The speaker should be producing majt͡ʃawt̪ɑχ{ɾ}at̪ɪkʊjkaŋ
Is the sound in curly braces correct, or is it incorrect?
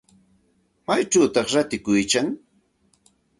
correct